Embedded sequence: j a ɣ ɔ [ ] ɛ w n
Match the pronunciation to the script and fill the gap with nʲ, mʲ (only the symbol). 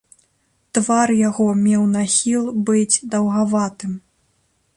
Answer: mʲ